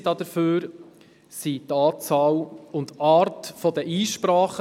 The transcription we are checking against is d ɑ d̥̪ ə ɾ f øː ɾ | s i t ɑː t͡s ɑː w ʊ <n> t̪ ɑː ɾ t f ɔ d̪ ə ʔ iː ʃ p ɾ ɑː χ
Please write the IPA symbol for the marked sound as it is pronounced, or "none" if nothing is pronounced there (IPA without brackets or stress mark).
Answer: n